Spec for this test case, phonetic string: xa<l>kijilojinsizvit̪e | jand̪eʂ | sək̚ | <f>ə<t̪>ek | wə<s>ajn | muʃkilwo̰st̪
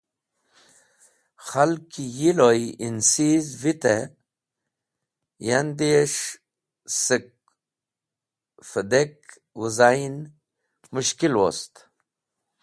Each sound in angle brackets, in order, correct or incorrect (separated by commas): correct, correct, incorrect, incorrect